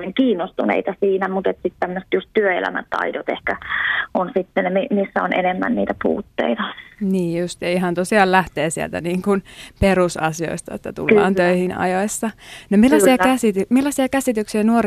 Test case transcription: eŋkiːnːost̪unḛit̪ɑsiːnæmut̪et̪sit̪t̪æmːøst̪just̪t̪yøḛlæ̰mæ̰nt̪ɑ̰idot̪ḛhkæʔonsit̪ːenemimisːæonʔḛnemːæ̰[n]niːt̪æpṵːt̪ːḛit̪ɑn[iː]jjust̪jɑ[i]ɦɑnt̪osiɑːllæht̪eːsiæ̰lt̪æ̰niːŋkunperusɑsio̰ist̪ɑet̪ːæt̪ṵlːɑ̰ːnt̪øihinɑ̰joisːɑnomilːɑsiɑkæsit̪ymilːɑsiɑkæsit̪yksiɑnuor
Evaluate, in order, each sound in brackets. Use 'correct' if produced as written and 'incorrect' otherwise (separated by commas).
correct, correct, correct